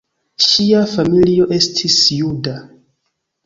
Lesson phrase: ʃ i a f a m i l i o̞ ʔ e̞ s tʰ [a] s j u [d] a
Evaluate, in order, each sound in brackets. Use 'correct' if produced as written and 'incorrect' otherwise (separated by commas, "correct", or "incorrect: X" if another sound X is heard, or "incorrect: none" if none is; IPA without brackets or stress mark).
incorrect: i, correct